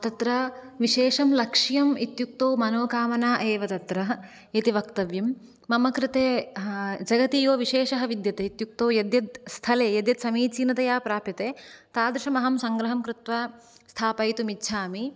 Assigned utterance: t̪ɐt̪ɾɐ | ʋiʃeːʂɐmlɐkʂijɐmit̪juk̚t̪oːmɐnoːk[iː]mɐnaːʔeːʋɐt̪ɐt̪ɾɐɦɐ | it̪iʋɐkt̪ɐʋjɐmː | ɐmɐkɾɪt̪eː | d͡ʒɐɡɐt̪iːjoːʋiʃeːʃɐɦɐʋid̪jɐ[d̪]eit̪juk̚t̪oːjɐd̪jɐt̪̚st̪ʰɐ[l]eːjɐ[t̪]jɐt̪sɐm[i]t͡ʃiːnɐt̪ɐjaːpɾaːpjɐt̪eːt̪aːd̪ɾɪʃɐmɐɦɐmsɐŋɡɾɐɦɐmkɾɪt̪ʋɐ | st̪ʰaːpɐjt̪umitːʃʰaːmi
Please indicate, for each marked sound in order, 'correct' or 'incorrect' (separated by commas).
incorrect, incorrect, correct, incorrect, incorrect